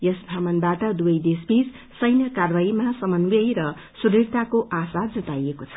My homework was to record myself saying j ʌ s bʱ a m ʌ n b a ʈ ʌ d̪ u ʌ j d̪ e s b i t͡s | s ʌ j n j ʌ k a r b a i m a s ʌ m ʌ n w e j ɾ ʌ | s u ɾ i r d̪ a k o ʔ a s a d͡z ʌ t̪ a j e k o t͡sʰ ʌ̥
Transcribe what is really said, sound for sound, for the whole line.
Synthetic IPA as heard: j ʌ s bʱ a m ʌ n b a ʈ ʌ d̪ u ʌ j d̪ e s b i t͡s | s ʌ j n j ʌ k a r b a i m a s ʌ m ʌ n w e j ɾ ʌ | s u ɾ i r t̪ a k o ʔ a s a d͡z ʌ t̪ a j e k o t͡sʰ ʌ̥

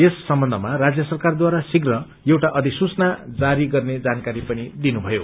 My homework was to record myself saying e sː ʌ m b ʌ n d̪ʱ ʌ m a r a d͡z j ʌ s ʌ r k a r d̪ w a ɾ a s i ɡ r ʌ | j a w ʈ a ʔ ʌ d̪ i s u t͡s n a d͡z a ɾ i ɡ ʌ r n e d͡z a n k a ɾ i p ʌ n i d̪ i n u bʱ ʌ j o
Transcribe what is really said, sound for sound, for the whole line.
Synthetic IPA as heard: e sː ʌ m b ʌ n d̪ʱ ʌ m a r a d͡z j ʌ s ʌ r k a r d̪ w a ɾ a s i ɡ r ʌ | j e w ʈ a ʔ ʌ d̪ i s u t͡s n a d͡z a ɾ i ɡ ʌ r n e d͡z a n k a ɾ i p ʌ n i d̪ i n u bʱ ʌ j o

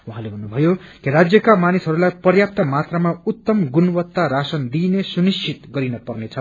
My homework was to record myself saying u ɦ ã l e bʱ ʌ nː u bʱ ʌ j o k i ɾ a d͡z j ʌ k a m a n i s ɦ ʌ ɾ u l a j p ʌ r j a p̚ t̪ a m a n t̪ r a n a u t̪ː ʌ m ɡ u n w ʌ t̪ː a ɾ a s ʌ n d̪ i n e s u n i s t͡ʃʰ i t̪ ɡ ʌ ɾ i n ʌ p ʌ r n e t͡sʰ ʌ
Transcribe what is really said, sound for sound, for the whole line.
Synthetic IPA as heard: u ɦ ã l e bʱ ʌ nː u bʱ ʌ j o k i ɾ a d͡z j ʌ k a m a n i s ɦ ʌ ɾ u l a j p ʌ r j a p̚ t̪ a m a t̪ r a m a u t̪ː ʌ m ɡ u n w ʌ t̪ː a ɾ a s ʌ n d̪ i n e s u n i s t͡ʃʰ i t̪ ɡ ʌ ɾ i n ʌ p ʌ r n e t͡sʰ ʌ

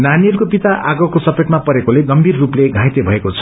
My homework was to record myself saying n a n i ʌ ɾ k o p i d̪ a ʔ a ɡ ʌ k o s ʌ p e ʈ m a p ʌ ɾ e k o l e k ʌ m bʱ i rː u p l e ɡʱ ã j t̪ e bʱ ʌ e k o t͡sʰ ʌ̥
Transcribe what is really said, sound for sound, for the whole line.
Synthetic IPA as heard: n a n i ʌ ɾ k o p i t̪ a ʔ a ɡ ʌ k o s ʌ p e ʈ m a p ʌ ɾ e k o l e ɡ ʌ m bʱ i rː u p l e ɡʱ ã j t̪ e bʱ ʌ e k o t͡sʰ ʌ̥

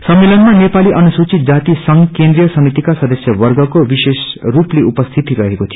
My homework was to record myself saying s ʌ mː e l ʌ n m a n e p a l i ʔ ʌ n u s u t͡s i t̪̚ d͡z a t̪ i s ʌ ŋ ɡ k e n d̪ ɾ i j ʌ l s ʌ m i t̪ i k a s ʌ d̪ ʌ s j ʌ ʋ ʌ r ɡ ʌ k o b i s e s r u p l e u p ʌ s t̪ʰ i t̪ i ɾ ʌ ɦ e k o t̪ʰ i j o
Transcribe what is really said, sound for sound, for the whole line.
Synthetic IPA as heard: s ʌ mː e l ʌ n m a n e p a l i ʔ ʌ n u s u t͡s i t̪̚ d͡z a t̪ i s ʌ ŋ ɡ k e n d̪ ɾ i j ʌ s ʌ m i t̪ i k a s ʌ d̪ ʌ s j ʌ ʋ ʌ r ɡ ʌ k o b i s e s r u p l e u p ʌ s t̪ʰ i t̪ i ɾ ʌ ɦ e k o t̪ʰ i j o

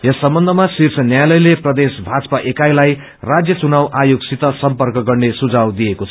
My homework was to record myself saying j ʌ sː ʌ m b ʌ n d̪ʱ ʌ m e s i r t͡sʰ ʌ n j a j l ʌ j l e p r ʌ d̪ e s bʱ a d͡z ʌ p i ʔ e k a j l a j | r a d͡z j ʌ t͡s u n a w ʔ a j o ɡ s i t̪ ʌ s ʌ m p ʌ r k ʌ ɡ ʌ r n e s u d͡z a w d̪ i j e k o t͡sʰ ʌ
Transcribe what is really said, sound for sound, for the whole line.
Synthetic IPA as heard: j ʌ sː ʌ m b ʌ n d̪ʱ ʌ m a s i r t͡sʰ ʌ n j a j l ʌ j l e p r ʌ d̪ e s bʱ a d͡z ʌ p a ʔ e k a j l a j | r a d͡z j ʌ t͡s u n a w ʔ a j o ɡ s i t̪ ʌ s ʌ m p ʌ r k ʌ ɡ ʌ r n e s u d͡z a w d̪ i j e k o t͡sʰ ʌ

